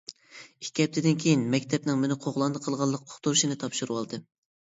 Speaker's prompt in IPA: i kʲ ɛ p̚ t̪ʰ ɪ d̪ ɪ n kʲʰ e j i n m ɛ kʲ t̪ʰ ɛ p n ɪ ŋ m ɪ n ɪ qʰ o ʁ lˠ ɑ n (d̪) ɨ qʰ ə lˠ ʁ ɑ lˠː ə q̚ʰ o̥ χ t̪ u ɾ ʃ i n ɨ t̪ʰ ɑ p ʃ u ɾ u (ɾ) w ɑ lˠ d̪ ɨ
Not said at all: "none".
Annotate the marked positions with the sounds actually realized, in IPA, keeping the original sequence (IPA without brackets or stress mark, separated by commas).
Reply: d̪, none